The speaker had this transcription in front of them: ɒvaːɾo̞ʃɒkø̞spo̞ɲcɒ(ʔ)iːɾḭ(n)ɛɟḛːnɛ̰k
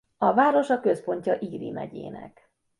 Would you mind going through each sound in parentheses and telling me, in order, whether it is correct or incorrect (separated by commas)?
correct, incorrect